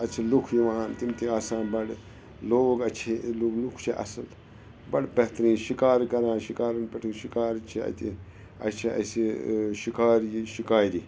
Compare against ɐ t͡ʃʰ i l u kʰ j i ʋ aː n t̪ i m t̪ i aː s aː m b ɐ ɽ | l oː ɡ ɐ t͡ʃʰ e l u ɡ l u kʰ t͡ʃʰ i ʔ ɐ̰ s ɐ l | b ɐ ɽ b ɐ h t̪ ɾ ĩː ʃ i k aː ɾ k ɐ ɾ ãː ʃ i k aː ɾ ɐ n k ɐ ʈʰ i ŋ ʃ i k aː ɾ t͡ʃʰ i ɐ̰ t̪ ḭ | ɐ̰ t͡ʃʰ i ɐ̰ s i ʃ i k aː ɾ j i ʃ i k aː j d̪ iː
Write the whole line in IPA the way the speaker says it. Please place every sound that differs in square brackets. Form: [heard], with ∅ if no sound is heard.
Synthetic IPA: ɐ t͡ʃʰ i l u kʰ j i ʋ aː n t̪ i m t̪ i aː s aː [n] b ɐ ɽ | l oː ɡ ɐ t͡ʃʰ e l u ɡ l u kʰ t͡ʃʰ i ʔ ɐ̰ s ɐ l | b ɐ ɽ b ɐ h t̪ ɾ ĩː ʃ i k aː ɾ k ɐ ɾ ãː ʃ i k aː ɾ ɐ n [p] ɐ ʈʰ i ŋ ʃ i k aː ɾ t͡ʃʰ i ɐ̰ t̪ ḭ | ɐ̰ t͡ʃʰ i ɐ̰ s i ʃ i k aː ɾ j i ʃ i k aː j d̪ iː

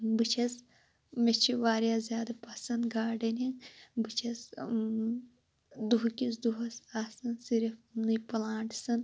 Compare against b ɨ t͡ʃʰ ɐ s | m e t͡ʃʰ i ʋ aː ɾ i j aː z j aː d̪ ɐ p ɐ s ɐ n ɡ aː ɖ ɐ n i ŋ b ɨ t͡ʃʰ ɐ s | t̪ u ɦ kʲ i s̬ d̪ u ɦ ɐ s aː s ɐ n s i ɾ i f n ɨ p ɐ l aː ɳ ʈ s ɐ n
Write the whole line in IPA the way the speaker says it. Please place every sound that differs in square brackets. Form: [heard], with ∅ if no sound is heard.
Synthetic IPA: b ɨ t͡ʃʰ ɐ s | m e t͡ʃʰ i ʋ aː ɾ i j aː z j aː d̪ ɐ p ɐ s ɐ n ɡ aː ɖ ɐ n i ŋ b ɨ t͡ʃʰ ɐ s | [d̪] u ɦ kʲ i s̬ d̪ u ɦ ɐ s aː s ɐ n s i ɾ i f n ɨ p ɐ l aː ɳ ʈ s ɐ n

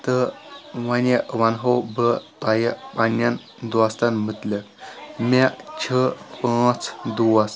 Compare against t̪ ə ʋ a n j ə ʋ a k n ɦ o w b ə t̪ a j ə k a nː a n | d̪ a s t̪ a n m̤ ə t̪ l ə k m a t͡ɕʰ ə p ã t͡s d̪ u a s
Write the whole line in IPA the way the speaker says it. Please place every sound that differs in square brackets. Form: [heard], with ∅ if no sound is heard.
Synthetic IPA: t̪ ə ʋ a n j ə ʋ a [∅] n ɦ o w b ə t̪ a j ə [p] a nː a n | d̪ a s t̪ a n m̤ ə t̪ l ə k m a t͡ɕʰ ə p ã t͡s d̪ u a s

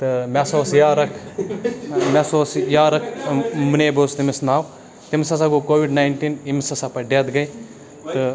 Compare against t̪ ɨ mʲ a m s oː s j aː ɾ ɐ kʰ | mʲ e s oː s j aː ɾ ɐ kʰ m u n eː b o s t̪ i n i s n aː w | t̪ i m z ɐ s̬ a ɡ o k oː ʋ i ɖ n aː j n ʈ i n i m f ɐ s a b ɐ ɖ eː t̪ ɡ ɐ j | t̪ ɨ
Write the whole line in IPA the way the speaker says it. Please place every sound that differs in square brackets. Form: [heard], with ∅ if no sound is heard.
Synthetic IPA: t̪ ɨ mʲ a [∅] s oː s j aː ɾ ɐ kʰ | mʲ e s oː s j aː ɾ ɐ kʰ m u n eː b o s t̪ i [m] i s n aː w | t̪ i m [s] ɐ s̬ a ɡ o k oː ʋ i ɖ n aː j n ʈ i n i m [s] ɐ s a [p] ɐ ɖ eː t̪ ɡ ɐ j | t̪ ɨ

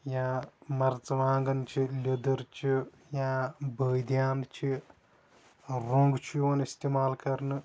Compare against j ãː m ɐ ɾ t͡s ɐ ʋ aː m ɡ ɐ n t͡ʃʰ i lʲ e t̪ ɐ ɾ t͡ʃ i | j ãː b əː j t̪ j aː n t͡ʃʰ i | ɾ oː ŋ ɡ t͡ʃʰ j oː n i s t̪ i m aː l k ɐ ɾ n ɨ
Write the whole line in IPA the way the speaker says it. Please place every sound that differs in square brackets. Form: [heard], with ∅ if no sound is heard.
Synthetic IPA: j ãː m ɐ ɾ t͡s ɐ ʋ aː [ŋ] ɡ ɐ n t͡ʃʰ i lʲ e [d̪] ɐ ɾ t͡ʃ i | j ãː b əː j [d̪] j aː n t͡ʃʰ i | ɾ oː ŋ ɡ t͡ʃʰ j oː n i s t̪ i m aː l k ɐ ɾ n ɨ

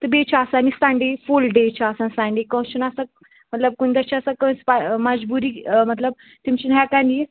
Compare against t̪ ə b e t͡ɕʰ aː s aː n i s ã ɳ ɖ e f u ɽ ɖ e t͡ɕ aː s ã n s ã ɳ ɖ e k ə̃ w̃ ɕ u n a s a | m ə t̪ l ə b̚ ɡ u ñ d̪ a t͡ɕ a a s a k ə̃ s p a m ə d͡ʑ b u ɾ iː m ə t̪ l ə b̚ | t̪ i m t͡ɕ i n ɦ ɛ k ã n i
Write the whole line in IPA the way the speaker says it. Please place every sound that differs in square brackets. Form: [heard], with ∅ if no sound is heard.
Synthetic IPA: t̪ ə b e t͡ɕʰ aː s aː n i s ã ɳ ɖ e f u [l] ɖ e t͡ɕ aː s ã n s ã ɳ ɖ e k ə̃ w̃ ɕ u n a s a | m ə t̪ l ə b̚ [k] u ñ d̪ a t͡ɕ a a s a k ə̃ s p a m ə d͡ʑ b u ɾ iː m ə t̪ l ə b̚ | t̪ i m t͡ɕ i n ɦ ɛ k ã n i

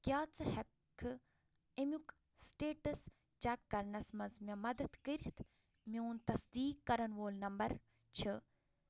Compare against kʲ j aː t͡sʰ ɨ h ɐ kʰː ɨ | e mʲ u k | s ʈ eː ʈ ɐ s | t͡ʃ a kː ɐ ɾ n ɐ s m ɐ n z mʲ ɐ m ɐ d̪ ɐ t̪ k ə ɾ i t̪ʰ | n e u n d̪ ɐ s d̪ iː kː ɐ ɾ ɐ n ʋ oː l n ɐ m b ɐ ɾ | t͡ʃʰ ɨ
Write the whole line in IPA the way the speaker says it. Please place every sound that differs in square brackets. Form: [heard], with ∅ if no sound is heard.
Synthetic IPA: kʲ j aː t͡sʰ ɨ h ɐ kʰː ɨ | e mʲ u k | s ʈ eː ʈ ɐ s | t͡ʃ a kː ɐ ɾ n ɐ s m ɐ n z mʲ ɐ m ɐ d̪ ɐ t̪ k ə ɾ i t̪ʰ | [m] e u n [t̪] ɐ s d̪ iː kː ɐ ɾ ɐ n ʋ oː l n ɐ m b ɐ ɾ | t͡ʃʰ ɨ

